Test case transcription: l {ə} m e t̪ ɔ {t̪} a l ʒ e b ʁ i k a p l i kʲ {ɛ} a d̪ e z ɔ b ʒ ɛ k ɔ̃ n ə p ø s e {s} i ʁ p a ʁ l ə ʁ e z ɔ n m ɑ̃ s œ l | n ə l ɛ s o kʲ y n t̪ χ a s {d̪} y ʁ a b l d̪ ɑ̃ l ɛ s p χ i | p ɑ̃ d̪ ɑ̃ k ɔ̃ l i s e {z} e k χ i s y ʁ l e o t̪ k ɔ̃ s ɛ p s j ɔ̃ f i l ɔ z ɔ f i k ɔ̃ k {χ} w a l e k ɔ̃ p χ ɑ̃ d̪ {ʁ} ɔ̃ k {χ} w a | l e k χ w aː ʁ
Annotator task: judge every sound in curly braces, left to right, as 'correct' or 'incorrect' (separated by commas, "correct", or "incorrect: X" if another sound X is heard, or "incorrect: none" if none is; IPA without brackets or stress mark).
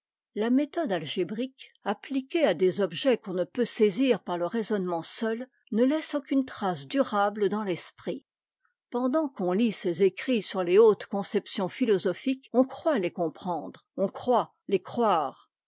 incorrect: a, incorrect: d̪, incorrect: e, incorrect: z, correct, correct, correct, correct, correct